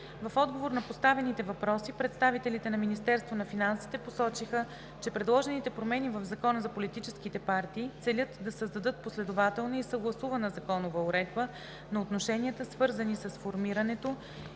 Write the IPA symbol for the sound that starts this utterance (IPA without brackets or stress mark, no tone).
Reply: v